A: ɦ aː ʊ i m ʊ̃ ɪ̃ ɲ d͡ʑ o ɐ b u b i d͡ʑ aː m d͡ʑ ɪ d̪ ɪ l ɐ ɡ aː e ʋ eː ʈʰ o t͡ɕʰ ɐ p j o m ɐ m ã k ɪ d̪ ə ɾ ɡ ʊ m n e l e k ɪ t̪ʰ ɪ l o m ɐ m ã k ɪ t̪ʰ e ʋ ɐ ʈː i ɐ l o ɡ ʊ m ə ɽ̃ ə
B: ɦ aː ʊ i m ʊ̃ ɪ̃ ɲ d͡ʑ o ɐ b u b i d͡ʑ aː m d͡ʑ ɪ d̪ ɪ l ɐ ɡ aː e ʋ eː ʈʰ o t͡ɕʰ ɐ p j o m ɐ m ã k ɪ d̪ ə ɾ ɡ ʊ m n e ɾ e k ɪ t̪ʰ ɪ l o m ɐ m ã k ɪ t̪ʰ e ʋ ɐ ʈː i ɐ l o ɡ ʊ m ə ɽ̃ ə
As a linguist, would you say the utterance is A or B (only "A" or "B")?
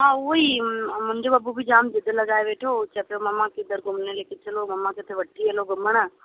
A